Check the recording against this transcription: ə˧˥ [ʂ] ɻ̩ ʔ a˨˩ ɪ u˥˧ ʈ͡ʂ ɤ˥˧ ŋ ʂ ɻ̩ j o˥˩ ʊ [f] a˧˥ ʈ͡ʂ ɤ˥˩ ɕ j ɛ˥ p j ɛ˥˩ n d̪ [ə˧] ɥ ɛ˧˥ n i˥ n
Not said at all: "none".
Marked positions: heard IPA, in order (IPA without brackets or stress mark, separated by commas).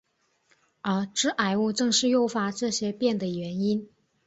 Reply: ʈ͡ʂ, f, ə˩